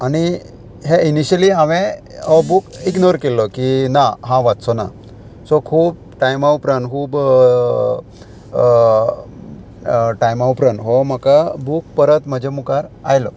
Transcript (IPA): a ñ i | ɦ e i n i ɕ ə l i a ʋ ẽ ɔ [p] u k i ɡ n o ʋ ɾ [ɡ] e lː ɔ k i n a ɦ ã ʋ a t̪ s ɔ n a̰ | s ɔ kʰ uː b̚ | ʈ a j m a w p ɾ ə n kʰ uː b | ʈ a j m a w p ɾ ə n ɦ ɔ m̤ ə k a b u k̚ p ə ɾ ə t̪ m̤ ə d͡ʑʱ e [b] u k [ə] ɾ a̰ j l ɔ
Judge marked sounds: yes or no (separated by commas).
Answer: no, no, no, no